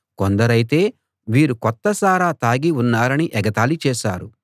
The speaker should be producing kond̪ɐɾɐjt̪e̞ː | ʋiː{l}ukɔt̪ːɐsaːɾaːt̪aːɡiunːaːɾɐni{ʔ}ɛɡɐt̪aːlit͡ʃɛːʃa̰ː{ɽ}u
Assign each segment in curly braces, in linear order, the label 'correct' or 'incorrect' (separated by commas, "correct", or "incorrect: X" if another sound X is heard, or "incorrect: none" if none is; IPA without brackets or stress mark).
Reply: incorrect: ɾ, correct, incorrect: ɾ